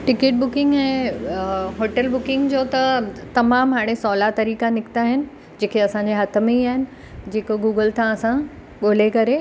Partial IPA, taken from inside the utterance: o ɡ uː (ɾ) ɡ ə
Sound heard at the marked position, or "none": none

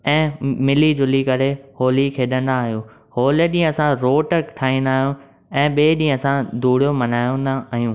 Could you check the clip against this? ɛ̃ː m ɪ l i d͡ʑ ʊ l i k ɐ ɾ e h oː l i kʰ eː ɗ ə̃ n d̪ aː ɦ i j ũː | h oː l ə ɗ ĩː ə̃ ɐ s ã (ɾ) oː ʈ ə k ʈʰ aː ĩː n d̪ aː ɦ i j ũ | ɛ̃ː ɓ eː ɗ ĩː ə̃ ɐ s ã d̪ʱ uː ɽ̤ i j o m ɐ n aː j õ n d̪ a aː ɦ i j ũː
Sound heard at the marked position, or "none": ɾ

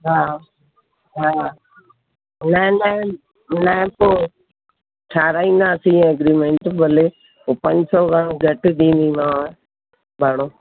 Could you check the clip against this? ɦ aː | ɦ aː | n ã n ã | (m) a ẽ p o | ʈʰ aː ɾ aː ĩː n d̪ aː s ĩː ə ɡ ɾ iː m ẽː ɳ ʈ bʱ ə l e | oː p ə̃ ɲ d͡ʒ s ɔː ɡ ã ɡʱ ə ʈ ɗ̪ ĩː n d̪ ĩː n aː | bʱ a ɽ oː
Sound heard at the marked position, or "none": n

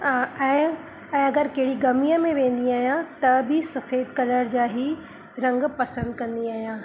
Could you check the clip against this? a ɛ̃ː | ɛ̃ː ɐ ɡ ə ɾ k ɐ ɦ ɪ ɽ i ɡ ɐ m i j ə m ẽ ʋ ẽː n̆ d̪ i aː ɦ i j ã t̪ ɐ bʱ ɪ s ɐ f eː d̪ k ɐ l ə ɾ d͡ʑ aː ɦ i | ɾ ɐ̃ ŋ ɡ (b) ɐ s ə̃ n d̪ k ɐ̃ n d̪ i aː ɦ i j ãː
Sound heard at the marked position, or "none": p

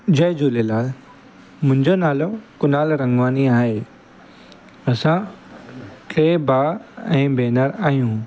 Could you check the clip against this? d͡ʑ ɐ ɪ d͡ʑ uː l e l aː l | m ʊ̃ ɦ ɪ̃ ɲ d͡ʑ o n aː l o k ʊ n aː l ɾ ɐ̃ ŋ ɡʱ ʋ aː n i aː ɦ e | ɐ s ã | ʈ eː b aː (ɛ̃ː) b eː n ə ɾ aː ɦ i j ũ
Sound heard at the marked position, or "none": ɛ̃ː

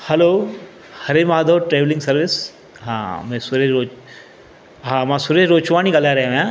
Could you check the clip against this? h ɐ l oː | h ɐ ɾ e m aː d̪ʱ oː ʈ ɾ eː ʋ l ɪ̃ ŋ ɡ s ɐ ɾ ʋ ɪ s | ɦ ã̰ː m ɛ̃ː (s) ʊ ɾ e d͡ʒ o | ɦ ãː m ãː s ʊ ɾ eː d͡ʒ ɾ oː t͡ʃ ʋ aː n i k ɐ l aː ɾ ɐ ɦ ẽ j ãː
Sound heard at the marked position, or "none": s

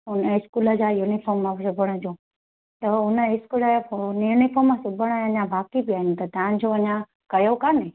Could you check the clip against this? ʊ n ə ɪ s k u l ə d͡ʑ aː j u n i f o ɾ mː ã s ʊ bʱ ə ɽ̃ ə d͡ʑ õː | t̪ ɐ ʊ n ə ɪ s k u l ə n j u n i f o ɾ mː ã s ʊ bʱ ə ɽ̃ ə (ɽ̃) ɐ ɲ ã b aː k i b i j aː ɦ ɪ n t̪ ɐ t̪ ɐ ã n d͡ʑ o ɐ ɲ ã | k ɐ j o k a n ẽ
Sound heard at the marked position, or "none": none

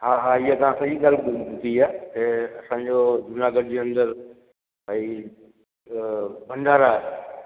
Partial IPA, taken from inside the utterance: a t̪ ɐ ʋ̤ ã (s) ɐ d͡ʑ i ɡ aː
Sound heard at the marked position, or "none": s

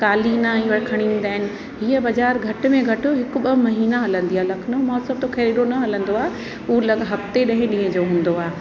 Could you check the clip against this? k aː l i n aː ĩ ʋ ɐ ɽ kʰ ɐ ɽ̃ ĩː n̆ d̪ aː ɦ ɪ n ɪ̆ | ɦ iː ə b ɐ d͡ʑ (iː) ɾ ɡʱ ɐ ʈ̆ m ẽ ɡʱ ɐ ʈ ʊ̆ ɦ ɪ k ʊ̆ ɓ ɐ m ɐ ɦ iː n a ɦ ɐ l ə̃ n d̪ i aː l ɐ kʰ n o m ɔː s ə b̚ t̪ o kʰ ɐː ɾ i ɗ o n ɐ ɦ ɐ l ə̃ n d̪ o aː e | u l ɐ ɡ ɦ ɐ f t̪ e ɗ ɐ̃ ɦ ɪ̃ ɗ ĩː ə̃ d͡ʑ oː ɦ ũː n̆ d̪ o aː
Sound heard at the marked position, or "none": aː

